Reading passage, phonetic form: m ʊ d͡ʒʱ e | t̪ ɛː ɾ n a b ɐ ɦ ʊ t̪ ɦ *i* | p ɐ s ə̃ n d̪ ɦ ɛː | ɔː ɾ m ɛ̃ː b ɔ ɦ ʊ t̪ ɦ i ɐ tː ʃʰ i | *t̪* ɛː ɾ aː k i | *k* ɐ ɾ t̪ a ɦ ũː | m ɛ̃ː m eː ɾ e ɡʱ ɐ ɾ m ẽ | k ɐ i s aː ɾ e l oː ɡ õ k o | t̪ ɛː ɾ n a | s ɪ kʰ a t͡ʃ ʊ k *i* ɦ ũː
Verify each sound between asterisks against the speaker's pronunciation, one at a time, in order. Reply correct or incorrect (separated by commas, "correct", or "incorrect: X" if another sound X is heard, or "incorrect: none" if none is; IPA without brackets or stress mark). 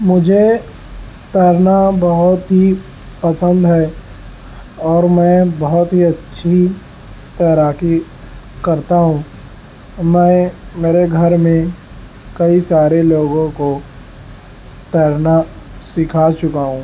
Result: correct, correct, correct, incorrect: a